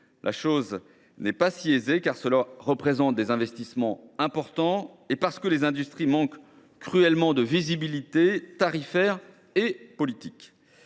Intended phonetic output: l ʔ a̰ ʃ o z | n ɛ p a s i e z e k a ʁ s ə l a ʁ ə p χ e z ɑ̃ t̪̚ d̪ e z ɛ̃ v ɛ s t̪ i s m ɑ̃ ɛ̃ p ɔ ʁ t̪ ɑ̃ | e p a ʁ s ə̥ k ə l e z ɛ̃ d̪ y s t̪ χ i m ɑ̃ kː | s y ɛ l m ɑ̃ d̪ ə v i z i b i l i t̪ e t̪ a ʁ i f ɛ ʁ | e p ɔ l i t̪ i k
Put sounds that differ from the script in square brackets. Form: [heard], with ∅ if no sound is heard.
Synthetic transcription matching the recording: l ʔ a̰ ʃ o z | n ɛ p a s i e z e k a ʁ s ə l a ʁ ə p χ e z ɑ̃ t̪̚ d̪ e z ɛ̃ v ɛ s t̪ i s m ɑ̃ ɛ̃ p ɔ ʁ t̪ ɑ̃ | e p a ʁ s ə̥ k ə l e z ɛ̃ d̪ y s t̪ χ i m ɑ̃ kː | [χ] y ɛ l m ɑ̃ d̪ ə v i z i b i l i t̪ e t̪ a ʁ i f ɛ ʁ | e p ɔ l i t̪ i k